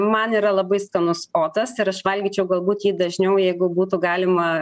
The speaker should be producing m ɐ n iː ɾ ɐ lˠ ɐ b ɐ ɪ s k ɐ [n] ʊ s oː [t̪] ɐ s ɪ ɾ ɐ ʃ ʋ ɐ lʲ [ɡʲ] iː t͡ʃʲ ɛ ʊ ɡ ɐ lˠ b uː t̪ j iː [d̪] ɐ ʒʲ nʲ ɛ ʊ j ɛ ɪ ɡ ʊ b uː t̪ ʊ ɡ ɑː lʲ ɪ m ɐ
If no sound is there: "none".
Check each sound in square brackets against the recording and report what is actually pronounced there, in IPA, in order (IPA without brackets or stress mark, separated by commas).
n, t̪, ɡʲ, d̪